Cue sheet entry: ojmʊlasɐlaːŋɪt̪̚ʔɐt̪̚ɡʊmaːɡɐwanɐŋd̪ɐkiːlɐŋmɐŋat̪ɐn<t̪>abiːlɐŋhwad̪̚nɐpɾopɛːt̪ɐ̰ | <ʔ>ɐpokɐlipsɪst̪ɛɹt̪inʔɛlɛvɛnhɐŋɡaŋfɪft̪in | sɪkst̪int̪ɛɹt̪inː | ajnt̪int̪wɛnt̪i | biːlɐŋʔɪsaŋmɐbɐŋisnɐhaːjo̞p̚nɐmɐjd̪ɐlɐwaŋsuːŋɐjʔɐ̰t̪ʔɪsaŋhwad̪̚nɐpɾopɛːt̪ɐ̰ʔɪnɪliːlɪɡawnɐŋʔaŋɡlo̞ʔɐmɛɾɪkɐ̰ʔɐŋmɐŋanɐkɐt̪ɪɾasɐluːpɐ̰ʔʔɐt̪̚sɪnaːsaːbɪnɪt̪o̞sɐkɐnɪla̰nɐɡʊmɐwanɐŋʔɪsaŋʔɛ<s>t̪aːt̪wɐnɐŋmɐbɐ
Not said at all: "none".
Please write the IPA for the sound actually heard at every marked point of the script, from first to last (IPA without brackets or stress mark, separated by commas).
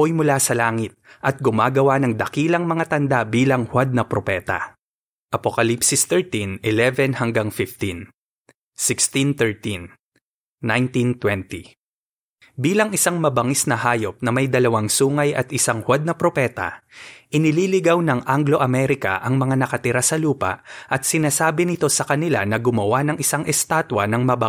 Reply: d̪, ʔ, s